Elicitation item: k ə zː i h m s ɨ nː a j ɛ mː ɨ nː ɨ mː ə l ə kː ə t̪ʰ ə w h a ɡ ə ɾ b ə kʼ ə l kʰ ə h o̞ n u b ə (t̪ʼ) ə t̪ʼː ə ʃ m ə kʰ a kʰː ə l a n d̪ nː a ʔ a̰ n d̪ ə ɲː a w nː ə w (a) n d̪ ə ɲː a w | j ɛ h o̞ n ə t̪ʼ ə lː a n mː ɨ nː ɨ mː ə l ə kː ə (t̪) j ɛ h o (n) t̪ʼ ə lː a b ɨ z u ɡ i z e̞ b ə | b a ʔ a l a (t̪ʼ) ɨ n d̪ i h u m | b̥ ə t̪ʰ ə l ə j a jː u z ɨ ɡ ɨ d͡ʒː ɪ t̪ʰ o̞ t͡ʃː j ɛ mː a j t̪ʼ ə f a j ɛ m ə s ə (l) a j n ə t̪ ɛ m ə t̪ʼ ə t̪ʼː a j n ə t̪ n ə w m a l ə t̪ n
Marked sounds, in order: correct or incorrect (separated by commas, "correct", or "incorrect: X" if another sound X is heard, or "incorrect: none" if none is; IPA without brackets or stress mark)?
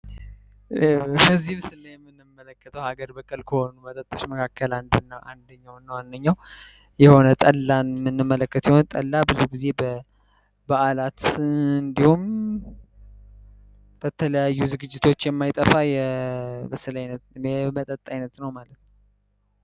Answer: correct, correct, correct, correct, incorrect: t̪, correct